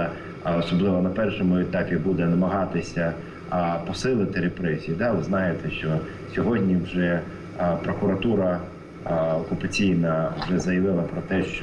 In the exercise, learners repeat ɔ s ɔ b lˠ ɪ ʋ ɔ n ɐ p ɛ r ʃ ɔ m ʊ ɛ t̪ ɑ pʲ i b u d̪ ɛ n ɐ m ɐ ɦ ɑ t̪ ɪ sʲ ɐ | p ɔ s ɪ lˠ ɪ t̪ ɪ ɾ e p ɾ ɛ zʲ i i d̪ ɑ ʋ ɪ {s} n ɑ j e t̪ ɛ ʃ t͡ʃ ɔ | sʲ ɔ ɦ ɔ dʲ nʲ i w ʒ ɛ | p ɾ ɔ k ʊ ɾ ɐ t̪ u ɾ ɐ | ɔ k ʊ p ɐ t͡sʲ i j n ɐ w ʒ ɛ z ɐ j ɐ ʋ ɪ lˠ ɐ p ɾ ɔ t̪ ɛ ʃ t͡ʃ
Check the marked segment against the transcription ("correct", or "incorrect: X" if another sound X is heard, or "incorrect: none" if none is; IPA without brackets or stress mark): incorrect: z